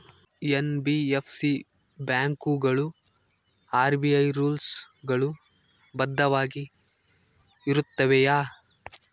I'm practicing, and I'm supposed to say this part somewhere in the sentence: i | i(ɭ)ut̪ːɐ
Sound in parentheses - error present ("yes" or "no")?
yes